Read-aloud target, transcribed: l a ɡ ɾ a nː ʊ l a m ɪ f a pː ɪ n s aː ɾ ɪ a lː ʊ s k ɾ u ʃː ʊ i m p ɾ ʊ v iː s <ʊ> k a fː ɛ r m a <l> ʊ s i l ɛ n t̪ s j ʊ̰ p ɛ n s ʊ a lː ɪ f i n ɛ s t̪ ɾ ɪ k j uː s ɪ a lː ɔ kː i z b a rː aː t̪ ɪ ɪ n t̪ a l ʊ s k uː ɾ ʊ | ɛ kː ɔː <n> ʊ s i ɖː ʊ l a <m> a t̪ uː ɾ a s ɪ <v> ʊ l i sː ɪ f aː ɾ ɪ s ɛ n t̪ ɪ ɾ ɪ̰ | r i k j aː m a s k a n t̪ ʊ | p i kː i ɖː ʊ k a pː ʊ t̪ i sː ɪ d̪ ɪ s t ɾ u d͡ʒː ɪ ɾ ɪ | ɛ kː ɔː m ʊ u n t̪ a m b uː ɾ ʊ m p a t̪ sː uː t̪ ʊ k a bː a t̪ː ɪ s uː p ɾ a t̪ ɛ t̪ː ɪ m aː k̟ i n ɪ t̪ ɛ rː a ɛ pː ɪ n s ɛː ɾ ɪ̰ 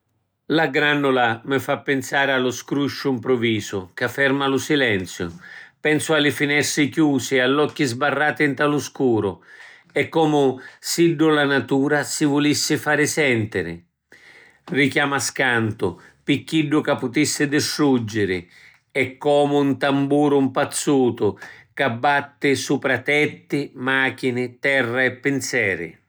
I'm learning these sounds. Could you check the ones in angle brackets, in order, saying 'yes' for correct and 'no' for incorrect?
yes, yes, no, no, yes

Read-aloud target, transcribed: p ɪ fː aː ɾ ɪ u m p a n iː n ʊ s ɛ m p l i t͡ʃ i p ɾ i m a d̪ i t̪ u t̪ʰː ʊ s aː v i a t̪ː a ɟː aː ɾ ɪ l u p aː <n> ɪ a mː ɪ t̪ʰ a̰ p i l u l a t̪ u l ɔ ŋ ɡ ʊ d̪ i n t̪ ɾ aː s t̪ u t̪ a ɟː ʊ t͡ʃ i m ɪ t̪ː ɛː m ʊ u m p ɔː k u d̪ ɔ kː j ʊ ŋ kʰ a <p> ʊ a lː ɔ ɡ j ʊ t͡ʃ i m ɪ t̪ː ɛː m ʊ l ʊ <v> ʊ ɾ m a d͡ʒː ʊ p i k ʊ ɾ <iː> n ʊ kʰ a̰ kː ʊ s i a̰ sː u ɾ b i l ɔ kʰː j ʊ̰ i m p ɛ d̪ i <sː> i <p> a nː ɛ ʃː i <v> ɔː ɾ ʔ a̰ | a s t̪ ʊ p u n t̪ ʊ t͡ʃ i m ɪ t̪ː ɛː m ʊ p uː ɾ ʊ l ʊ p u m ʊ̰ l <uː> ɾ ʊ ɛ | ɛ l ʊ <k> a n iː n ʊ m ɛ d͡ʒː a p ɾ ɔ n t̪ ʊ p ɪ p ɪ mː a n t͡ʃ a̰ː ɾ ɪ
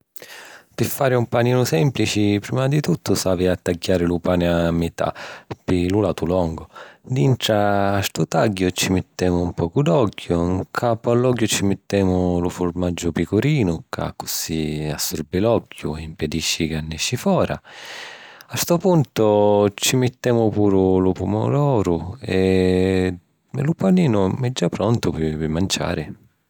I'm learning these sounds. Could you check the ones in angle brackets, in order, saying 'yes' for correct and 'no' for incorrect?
yes, yes, no, yes, no, no, no, no, no

